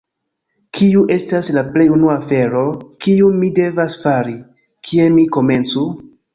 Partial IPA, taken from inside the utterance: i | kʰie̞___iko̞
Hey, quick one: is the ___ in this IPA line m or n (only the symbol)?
m